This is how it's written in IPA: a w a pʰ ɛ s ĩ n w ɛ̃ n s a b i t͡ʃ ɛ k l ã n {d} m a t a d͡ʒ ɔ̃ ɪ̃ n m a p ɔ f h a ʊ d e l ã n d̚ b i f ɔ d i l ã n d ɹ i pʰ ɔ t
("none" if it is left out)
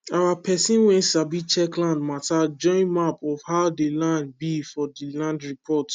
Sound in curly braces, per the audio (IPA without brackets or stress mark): d